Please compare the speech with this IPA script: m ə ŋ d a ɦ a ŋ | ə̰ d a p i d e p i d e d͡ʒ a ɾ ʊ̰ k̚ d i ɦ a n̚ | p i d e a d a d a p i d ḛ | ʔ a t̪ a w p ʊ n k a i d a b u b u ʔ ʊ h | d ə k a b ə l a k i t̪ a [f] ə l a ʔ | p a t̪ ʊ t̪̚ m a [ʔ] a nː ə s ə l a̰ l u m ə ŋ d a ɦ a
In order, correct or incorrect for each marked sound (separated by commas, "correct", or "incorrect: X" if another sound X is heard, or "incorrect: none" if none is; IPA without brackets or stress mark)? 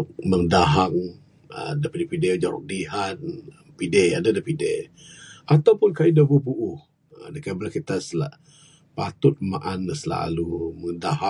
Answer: incorrect: s, correct